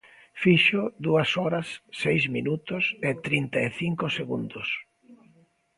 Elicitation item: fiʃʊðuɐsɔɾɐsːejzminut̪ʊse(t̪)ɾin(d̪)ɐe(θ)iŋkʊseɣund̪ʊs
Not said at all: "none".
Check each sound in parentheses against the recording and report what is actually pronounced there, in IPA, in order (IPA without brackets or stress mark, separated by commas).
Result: t̪, t̪, θ